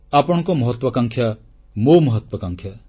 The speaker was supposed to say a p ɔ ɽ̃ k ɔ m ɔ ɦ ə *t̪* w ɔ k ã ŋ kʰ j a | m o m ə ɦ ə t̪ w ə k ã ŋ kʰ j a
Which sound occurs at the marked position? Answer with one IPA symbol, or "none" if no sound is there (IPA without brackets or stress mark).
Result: t̪